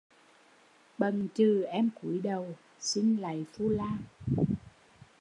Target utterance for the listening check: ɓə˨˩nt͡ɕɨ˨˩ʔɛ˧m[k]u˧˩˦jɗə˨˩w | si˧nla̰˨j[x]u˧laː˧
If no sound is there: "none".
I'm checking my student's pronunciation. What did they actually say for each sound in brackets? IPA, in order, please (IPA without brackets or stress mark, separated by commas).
k, f